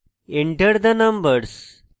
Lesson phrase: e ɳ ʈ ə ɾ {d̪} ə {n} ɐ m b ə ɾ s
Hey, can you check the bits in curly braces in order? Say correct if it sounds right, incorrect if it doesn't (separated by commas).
correct, correct